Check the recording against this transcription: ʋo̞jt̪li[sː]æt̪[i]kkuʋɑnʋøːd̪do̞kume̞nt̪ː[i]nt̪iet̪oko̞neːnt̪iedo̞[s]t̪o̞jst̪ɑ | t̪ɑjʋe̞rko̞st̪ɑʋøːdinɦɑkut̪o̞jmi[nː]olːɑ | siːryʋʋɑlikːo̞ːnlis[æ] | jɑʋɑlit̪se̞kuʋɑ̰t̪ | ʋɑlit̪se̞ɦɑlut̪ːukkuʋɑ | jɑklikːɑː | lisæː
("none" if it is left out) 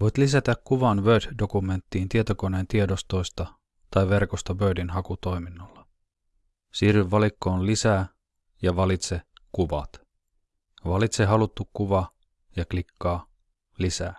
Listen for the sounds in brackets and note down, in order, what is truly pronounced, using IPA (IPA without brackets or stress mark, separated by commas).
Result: s, æ, iː, s, nː, æː